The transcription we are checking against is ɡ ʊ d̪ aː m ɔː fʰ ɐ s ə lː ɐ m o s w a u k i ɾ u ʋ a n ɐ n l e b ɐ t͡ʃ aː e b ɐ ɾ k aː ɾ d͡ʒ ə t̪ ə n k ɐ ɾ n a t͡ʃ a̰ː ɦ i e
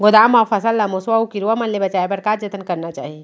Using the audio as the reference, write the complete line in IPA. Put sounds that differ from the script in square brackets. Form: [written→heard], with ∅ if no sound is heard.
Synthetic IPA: ɡ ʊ d̪ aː m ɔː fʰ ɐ s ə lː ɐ m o s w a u k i ɾ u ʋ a [n→m] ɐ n l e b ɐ t͡ʃ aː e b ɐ ɾ k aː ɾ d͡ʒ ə t̪ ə n k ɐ ɾ n a t͡ʃ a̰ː ɦ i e